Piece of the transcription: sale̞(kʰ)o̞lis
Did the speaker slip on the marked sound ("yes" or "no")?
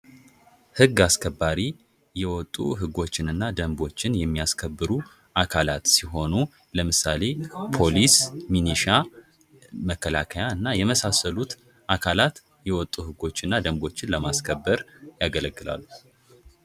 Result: yes